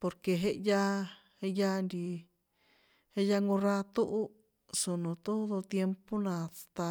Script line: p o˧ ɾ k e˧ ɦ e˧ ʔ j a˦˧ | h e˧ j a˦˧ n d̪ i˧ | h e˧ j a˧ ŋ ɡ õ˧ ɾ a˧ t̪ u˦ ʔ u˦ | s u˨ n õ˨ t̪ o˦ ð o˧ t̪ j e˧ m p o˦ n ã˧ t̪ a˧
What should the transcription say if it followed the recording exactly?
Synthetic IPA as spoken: p o˧ ɾ k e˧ ɦ e˧ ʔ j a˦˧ | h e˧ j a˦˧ n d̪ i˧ | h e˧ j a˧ ŋ ɡ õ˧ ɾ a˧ t̪ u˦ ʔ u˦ | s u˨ n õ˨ t̪ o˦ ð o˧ t̪ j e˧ m p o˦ n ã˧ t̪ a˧